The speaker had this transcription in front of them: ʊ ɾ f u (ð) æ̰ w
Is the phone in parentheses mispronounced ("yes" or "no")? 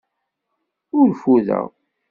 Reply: no